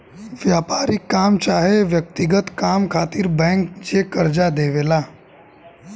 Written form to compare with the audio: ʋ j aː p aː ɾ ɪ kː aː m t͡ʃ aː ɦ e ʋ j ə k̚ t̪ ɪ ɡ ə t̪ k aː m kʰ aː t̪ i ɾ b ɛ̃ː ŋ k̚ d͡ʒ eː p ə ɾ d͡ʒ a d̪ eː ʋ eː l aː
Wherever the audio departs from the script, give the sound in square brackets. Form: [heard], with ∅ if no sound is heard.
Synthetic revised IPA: ʋ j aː p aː ɾ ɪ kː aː m t͡ʃ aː ɦ e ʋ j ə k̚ t̪ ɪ ɡ ə t̪ k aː m kʰ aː t̪ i ɾ b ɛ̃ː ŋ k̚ d͡ʒ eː [k] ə ɾ d͡ʒ a d̪ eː ʋ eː l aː